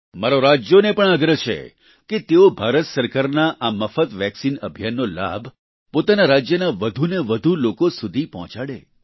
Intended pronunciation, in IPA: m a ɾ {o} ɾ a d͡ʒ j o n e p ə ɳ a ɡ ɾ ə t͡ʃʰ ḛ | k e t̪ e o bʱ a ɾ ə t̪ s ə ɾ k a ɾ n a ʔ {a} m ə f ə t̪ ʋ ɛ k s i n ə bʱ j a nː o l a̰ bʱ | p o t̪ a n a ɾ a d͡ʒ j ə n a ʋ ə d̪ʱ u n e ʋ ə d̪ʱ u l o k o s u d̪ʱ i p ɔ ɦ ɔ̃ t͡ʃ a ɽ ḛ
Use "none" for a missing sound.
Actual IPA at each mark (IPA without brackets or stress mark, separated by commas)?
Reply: o, a